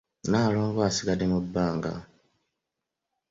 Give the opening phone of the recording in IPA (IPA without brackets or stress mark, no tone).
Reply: n